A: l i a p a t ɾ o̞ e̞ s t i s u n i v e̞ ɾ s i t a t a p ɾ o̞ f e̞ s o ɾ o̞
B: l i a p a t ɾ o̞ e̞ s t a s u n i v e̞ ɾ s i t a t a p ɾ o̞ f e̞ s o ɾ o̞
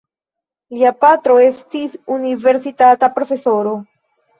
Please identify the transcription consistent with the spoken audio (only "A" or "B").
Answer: A